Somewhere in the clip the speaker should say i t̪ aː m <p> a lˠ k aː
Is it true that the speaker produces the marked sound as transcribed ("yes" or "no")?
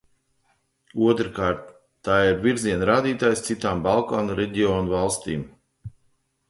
no